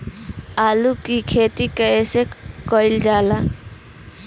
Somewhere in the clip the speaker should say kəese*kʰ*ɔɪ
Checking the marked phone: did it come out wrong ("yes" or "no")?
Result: yes